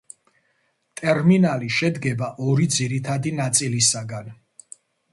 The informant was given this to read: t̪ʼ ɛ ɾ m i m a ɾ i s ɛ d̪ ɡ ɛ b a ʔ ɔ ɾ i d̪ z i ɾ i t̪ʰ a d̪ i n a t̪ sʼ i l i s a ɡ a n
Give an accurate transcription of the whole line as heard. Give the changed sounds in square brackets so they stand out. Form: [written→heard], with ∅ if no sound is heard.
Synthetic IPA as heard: t̪ʼ ɛ ɾ m i [m→n] a [ɾ→l] i [s→ʃ] ɛ d̪ ɡ ɛ b a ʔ ɔ ɾ i d̪ z i ɾ i t̪ʰ a d̪ i n a t̪ sʼ i l i s a ɡ a n